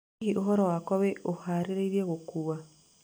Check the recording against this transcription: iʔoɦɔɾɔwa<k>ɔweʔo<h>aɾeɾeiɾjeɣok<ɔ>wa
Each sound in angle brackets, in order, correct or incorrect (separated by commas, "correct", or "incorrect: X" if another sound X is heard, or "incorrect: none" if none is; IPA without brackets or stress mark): correct, correct, incorrect: u